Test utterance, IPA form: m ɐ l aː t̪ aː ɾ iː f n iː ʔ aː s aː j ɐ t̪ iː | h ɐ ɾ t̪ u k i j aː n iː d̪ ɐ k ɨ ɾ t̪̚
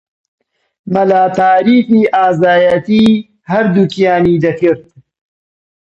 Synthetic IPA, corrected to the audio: m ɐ l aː t̪ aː ɾ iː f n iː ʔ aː z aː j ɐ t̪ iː | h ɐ ɾ d̪ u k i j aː n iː d̪ ɐ k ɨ ɾ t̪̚